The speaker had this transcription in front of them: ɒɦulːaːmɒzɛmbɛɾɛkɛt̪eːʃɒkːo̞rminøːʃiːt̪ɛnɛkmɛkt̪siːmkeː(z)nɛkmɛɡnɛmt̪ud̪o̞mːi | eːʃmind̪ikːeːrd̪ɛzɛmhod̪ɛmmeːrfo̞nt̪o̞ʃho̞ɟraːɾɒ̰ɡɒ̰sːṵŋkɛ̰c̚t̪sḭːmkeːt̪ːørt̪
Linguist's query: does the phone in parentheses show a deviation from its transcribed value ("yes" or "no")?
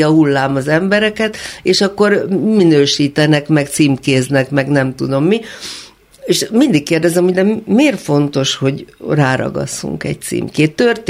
no